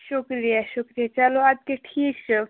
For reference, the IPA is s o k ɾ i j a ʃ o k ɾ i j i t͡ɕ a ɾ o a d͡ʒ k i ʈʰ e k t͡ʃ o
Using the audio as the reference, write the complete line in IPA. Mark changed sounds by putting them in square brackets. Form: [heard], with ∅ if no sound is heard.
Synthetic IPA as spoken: [ʃ] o k ɾ i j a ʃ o k ɾ i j [a] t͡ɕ a [l] o a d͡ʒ k [e] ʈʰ [i] k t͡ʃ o